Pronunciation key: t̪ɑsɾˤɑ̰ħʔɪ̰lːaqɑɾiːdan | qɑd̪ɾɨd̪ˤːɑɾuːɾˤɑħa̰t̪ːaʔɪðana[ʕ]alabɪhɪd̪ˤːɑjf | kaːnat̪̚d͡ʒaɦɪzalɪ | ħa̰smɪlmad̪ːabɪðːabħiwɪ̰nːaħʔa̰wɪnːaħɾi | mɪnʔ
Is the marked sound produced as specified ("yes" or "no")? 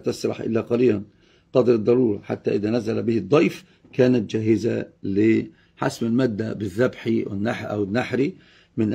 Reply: no